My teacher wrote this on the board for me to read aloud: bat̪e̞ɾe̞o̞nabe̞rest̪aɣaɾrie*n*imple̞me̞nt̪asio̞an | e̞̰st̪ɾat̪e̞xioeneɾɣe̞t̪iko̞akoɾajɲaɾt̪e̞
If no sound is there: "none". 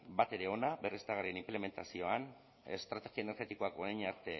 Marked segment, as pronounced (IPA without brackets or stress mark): n